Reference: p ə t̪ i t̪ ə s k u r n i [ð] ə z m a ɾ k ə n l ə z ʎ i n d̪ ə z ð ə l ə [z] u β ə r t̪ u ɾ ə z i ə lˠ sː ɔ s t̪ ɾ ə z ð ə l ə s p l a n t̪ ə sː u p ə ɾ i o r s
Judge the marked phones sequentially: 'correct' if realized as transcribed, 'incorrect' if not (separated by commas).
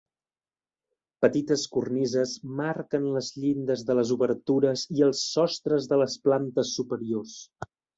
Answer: incorrect, correct